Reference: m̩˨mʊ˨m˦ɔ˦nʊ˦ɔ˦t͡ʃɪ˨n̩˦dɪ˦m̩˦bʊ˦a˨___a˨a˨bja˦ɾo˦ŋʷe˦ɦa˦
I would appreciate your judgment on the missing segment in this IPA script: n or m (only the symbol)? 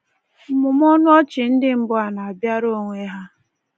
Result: n